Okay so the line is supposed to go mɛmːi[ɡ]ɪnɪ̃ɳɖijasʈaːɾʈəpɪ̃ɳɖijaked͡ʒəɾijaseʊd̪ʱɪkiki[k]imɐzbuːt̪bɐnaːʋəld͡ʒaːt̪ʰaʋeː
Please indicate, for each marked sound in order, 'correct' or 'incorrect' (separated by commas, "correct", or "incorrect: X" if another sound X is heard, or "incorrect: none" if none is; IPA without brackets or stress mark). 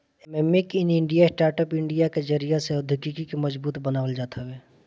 incorrect: k, correct